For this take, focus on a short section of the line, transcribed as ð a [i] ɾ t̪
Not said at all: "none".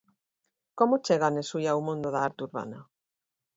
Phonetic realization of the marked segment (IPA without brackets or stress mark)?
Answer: a